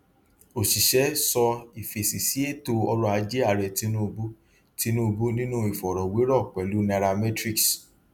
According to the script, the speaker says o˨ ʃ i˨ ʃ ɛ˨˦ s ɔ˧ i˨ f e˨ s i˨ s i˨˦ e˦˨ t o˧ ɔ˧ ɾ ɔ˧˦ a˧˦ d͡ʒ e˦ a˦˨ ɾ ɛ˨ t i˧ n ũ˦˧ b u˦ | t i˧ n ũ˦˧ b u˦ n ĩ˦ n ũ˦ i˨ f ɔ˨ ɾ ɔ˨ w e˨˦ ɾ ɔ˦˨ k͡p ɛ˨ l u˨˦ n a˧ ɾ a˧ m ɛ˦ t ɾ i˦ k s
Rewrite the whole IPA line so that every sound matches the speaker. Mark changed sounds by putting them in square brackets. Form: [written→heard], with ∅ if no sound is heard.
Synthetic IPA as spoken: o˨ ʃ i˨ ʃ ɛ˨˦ s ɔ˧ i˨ f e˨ s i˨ s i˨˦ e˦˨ t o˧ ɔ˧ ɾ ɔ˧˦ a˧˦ d͡ʒ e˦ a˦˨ ɾ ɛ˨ t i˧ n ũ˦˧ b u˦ | t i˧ n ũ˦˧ b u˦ n ĩ˦ n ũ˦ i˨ f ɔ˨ ɾ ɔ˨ w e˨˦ ɾ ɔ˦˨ k͡p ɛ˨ l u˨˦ n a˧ ɾ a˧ m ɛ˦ t ɾ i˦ k s